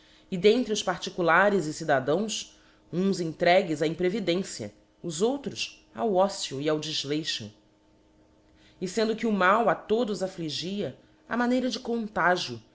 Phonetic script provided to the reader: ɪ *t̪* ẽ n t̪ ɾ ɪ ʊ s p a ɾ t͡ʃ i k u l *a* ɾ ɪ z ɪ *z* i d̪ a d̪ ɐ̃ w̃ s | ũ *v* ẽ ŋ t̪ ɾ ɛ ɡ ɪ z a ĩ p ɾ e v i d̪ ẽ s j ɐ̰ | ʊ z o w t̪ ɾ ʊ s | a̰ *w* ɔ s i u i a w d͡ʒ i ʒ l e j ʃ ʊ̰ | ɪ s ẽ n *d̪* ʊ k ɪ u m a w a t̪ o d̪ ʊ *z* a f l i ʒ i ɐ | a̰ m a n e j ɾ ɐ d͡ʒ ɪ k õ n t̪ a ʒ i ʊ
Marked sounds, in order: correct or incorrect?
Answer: incorrect, correct, incorrect, incorrect, correct, correct, correct

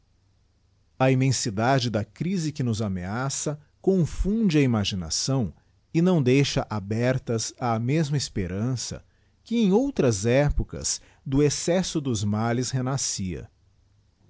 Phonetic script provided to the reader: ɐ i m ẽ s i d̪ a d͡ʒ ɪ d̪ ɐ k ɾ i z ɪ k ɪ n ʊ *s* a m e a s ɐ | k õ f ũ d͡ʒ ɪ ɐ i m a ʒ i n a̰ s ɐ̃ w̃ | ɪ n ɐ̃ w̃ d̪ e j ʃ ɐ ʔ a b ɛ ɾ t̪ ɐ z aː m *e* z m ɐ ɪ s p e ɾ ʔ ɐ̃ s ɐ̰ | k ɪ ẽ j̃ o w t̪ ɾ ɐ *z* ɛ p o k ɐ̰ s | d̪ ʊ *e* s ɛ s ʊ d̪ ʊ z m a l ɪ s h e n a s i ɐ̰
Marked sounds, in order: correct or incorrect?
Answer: incorrect, correct, correct, correct

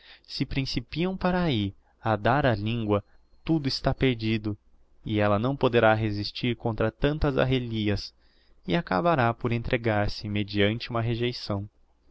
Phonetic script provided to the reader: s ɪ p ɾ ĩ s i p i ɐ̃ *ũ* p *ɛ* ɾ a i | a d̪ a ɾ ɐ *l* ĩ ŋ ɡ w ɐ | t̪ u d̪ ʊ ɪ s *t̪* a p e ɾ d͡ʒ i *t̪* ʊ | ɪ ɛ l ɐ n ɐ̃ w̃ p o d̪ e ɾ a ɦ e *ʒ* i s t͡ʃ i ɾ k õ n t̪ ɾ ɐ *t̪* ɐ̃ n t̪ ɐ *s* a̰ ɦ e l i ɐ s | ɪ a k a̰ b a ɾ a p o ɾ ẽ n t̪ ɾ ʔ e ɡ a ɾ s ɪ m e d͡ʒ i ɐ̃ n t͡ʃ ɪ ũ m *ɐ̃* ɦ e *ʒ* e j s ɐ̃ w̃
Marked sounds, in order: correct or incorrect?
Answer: incorrect, incorrect, correct, correct, incorrect, incorrect, correct, incorrect, incorrect, correct

